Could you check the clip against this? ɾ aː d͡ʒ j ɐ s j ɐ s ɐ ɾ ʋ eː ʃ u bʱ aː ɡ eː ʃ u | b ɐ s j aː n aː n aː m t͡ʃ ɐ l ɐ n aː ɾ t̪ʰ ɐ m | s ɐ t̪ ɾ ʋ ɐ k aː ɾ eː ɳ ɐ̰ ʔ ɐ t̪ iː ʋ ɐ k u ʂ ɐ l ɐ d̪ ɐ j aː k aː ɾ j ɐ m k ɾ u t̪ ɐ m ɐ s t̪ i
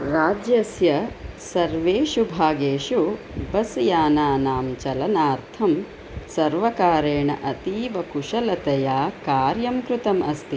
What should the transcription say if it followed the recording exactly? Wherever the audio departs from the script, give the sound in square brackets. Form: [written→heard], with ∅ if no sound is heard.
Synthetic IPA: ɾ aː d͡ʒ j ɐ s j ɐ s ɐ ɾ ʋ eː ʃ u bʱ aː ɡ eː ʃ u | b ɐ s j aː n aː n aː m t͡ʃ ɐ l ɐ n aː ɾ t̪ʰ ɐ m | s ɐ [t̪→∅] ɾ ʋ ɐ k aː ɾ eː ɳ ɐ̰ ʔ ɐ t̪ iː ʋ ɐ k u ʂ ɐ l ɐ [d̪→t̪] ɐ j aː k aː ɾ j ɐ m k ɾ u t̪ ɐ m ɐ s t̪ i